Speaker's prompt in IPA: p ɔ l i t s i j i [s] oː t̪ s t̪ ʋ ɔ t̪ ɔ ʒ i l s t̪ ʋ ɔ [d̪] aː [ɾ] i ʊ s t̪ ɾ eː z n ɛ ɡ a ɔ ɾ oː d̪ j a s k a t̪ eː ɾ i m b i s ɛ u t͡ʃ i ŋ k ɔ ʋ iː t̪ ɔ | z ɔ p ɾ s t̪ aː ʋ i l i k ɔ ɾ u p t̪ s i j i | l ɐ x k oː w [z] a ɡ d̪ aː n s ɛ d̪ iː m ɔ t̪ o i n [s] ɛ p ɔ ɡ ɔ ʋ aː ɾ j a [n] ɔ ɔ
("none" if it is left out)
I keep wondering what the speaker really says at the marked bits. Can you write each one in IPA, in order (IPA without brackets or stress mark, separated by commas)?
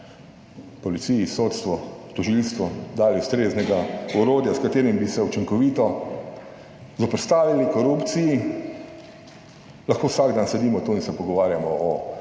s, d̪, l, s, s, m